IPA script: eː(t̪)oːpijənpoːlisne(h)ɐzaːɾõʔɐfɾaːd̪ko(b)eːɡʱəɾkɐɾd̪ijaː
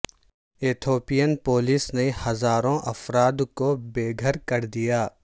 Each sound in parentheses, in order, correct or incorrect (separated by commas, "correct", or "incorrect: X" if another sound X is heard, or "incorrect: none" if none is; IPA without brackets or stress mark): incorrect: t̪ʰ, correct, correct